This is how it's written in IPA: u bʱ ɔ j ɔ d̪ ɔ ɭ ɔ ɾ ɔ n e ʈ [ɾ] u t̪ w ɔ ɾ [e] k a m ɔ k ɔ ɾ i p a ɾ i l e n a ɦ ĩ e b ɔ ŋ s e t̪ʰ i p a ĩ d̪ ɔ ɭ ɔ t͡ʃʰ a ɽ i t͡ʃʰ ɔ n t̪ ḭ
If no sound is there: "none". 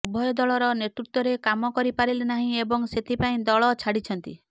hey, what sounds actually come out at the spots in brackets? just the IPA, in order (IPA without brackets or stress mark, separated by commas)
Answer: ɾ, e